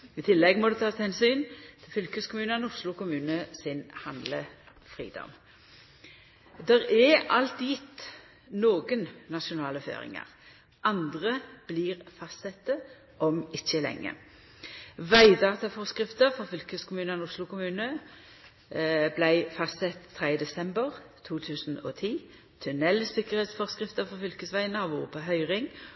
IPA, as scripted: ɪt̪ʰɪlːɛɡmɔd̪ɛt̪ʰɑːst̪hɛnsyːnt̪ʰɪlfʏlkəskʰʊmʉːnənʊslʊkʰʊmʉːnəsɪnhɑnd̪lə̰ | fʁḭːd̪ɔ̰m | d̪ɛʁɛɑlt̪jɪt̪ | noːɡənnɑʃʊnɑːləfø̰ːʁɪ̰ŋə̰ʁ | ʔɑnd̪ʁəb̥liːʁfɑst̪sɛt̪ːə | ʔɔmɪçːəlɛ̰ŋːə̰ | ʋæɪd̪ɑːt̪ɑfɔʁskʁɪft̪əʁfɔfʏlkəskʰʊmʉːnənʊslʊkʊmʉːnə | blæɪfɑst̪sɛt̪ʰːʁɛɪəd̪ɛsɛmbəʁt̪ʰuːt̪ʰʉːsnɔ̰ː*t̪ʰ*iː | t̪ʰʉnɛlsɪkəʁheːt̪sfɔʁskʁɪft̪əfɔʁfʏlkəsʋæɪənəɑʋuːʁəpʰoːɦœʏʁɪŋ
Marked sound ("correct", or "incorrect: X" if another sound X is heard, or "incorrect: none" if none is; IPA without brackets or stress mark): correct